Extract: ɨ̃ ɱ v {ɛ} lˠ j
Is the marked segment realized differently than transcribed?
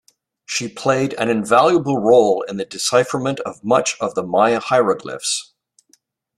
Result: yes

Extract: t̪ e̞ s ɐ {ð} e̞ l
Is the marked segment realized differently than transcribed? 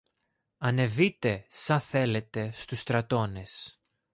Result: yes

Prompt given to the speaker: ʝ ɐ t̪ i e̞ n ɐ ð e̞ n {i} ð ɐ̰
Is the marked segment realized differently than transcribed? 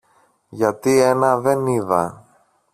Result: no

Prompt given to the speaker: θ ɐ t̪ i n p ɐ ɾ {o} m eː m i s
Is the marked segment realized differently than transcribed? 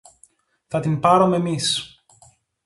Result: no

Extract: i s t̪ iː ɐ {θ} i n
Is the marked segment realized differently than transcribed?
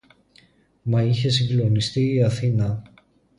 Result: no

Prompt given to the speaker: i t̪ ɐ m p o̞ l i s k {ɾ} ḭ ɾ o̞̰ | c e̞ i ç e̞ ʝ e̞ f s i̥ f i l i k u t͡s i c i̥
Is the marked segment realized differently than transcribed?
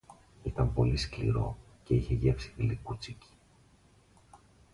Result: yes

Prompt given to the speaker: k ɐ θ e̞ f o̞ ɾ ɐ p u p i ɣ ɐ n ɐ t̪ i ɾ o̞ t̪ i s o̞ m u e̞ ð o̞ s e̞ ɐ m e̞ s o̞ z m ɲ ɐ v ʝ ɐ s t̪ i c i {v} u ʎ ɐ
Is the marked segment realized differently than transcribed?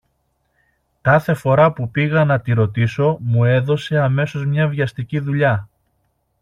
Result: yes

